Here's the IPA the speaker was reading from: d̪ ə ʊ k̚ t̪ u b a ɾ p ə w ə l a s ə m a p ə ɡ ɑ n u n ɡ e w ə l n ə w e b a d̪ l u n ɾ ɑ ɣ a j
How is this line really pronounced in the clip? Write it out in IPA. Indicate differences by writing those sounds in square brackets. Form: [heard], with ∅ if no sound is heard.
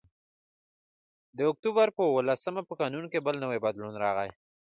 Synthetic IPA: d̪ ə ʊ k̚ t̪ u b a ɾ p ə w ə l a s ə m a p ə [k] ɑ n u n [k] e [b] ə l n ə w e b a d̪ l u n ɾ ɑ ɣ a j